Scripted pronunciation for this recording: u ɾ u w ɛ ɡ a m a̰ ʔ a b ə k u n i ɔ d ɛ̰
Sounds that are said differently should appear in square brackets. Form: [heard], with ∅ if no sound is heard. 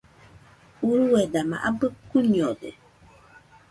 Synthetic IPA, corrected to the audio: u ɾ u w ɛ [d] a m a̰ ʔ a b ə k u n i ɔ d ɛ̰